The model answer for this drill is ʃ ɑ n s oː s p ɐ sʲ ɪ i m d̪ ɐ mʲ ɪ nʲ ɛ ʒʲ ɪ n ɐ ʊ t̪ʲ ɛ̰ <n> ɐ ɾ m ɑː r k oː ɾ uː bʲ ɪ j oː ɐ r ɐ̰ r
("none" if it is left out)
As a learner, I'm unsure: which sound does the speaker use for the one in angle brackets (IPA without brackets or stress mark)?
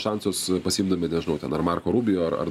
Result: n